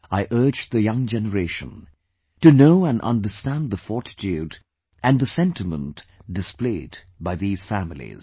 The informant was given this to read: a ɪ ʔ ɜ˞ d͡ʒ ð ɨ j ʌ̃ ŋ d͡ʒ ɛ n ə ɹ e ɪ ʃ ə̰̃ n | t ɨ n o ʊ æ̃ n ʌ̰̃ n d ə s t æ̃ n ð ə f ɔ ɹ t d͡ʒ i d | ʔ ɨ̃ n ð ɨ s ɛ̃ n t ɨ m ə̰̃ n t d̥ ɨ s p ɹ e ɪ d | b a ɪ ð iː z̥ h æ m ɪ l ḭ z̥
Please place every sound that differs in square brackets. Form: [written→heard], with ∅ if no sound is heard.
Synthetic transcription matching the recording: a ɪ ʔ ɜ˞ d͡ʒ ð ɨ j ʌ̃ ŋ d͡ʒ ɛ n ə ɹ e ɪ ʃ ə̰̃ n | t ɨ n o ʊ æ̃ n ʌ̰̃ n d ə s t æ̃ n ð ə f ɔ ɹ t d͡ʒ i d | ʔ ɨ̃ n ð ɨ s ɛ̃ n t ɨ m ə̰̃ n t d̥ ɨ s p [ɹ→l] e ɪ d | b a ɪ ð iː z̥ [h→f] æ m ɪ l ḭ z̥

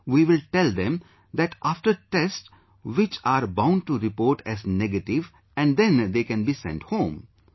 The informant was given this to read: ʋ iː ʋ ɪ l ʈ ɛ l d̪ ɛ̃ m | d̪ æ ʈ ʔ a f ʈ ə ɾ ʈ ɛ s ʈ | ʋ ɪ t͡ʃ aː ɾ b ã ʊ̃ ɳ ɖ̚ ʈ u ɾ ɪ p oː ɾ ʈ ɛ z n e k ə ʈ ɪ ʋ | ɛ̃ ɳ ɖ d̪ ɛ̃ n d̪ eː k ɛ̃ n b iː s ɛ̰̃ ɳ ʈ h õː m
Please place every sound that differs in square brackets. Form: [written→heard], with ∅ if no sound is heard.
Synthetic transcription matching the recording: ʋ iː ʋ ɪ l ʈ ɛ l d̪ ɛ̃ m | d̪ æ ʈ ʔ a f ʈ ə ɾ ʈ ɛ s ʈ | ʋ ɪ t͡ʃ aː ɾ b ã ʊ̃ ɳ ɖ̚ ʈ u ɾ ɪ p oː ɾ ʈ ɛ z n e [k→ɡ] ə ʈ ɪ ʋ | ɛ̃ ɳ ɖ d̪ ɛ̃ n d̪ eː k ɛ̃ n b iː s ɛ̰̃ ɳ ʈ h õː m

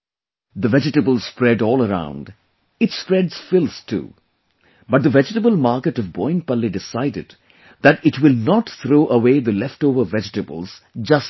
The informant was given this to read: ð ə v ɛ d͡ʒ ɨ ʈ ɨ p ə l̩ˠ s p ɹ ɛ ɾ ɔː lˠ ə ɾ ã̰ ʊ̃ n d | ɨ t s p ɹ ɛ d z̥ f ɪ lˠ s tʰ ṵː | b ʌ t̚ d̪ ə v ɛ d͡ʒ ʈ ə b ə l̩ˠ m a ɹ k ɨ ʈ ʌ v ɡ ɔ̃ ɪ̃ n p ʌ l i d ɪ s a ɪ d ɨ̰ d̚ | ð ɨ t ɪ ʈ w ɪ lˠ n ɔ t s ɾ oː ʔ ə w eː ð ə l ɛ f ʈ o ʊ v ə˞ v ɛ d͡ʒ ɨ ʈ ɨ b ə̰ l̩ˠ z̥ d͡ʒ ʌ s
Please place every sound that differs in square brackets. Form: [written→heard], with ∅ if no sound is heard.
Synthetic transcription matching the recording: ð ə v ɛ d͡ʒ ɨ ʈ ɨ [p→b] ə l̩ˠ s p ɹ ɛ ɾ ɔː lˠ ə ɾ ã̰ ʊ̃ n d | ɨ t s p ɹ ɛ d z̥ f ɪ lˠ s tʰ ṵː | b ʌ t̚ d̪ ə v ɛ d͡ʒ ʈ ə b ə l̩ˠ m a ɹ k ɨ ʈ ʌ v [ɡ→b] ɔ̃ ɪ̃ n p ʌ l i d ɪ s a ɪ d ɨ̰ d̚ | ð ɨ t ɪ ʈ w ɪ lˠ n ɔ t [s→θ] ɾ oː ʔ ə w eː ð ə l ɛ f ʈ o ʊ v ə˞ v ɛ d͡ʒ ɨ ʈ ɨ b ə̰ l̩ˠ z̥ d͡ʒ ʌ s

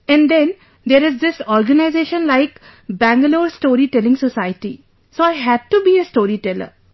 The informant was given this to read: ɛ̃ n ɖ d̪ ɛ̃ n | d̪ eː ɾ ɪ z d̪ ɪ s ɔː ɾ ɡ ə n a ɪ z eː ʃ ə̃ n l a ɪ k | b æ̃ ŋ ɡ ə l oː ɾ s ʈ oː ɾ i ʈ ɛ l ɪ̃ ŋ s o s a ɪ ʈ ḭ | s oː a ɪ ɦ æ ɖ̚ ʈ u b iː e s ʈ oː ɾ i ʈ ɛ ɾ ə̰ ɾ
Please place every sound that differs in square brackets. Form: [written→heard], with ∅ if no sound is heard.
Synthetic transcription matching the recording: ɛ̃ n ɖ d̪ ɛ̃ n | d̪ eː ɾ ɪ z d̪ ɪ s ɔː ɾ ɡ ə n a ɪ z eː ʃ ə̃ n l a ɪ k | b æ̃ ŋ ɡ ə l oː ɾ s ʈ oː ɾ i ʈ ɛ l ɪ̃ ŋ s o s a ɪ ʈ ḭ | s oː a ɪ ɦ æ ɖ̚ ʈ u b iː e s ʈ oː ɾ i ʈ ɛ [ɾ→l] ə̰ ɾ

